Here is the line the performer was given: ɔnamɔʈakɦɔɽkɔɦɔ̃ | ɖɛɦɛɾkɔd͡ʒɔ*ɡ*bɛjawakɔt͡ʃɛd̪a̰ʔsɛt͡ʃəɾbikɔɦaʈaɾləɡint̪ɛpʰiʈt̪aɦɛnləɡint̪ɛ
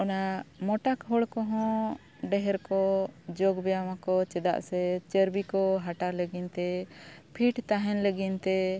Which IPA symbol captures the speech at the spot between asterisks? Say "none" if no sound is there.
ɡ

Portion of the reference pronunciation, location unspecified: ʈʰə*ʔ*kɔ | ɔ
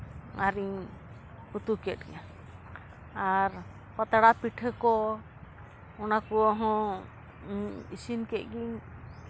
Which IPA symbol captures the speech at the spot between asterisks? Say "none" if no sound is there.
none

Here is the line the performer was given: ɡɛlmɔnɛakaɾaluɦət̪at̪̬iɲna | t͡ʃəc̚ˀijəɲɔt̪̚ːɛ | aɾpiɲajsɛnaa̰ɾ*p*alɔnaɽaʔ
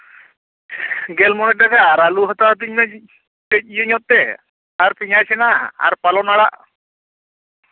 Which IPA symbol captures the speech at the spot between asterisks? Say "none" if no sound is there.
p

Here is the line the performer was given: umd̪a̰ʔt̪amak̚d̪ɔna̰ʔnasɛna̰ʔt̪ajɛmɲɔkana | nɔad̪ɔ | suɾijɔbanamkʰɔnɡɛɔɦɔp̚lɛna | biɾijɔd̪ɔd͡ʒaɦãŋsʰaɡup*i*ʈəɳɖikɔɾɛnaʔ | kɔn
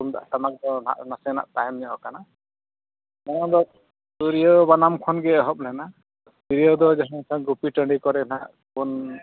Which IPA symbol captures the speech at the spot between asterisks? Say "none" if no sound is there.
i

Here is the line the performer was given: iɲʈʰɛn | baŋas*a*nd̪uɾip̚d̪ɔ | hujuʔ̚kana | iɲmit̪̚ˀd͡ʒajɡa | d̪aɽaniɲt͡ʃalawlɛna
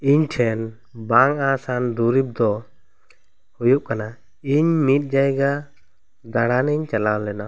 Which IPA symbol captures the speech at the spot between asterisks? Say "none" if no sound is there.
a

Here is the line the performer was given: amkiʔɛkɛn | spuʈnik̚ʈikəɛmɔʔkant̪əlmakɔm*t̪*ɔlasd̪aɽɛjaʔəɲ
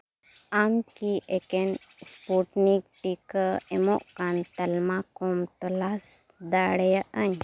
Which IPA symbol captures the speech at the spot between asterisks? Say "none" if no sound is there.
t̪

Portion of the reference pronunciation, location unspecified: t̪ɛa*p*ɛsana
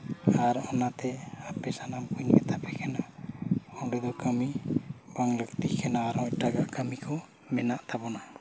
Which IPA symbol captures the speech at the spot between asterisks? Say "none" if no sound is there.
p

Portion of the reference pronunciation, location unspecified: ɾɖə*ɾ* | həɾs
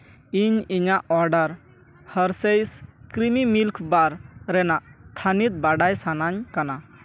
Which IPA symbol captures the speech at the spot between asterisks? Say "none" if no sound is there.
ɾ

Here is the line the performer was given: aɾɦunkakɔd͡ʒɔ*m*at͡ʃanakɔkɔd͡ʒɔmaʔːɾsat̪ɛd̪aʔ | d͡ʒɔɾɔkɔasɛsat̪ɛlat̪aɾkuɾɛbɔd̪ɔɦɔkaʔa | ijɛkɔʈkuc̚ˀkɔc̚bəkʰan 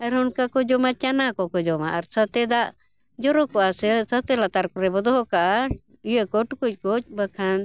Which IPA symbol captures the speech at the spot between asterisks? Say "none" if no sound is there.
m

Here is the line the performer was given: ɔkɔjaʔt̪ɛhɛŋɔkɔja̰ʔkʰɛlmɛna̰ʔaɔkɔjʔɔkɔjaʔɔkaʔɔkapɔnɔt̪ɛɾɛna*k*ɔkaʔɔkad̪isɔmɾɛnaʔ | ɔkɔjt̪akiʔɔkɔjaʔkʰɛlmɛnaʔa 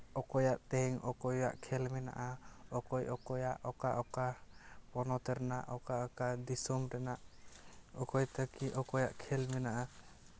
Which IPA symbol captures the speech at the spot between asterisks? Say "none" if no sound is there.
ʔ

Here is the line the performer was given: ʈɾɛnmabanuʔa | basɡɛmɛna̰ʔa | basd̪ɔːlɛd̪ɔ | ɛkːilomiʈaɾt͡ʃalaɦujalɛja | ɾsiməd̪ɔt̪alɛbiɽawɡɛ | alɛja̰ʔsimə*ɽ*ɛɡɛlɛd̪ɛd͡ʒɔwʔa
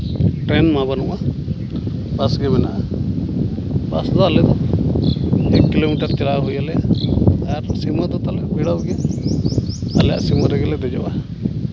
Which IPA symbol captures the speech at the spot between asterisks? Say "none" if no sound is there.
ɾ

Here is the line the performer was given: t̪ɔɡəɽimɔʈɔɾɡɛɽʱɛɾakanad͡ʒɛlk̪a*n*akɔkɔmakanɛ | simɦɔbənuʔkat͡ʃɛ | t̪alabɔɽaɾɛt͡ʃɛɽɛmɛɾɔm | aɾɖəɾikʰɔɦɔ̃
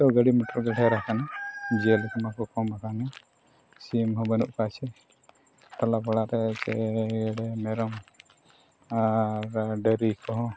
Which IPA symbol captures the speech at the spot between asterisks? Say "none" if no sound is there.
m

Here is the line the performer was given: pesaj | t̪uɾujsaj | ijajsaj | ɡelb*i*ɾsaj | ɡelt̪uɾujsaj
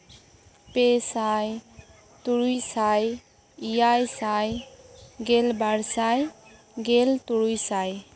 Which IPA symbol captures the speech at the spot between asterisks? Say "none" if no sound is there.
a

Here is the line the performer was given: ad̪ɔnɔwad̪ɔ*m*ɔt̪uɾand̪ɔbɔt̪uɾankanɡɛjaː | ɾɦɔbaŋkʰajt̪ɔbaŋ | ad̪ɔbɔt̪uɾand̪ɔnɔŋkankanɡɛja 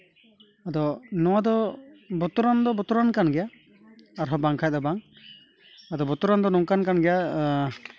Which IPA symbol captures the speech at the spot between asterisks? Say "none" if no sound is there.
b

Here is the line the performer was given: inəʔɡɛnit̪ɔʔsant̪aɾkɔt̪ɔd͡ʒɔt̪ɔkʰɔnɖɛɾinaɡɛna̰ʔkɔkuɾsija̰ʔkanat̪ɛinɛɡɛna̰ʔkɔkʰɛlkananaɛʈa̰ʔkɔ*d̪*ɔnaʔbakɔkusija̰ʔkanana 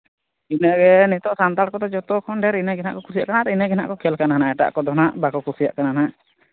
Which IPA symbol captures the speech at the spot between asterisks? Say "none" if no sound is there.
d̪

